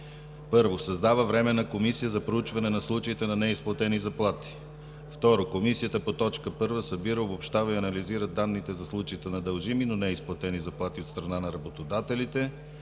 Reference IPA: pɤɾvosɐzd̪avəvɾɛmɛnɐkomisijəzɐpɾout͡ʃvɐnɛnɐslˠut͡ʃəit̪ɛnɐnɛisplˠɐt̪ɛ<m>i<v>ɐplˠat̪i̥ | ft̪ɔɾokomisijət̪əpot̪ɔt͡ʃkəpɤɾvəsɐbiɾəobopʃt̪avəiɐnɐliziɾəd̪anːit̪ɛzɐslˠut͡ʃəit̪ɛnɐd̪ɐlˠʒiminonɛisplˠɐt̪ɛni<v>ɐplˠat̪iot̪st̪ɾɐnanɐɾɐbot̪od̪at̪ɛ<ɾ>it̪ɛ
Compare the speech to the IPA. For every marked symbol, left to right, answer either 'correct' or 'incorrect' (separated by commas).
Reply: incorrect, incorrect, incorrect, incorrect